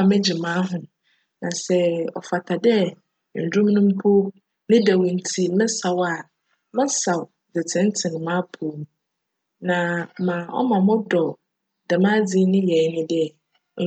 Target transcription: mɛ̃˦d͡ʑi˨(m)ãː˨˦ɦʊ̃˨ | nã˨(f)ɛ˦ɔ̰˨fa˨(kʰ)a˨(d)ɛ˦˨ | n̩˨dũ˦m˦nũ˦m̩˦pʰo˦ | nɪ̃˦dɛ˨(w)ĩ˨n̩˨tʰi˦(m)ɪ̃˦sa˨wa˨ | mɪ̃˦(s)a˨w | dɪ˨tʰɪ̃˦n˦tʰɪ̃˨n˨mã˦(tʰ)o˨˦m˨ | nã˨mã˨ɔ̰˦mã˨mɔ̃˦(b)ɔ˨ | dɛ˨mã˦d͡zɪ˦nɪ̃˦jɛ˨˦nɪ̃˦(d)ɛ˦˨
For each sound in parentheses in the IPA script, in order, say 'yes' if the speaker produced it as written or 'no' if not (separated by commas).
yes, no, no, yes, yes, yes, yes, no, no, yes